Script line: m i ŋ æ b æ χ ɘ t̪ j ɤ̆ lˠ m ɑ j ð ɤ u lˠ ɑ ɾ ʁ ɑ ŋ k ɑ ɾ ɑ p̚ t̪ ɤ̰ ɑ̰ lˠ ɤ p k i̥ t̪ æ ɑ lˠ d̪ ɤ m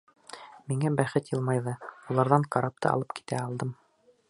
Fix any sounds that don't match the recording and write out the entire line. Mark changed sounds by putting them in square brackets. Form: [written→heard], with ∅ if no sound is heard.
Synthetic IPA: m i ŋ æ b æ χ ɘ t̪ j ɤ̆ lˠ m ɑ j ð ɤ u lˠ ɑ ɾ [ʁ→ð] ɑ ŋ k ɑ ɾ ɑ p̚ t̪ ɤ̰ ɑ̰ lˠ ɤ p k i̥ t̪ æ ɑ lˠ d̪ ɤ m